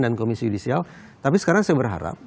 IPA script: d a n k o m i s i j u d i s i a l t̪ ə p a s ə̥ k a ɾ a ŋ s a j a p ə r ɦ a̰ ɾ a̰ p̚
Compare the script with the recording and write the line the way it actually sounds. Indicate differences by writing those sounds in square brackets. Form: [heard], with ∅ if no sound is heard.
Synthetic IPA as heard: d a n k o m i s i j u d i s i a l t̪ [a] p [i] s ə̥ k a ɾ a ŋ s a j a [b] ə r ɦ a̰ ɾ a̰ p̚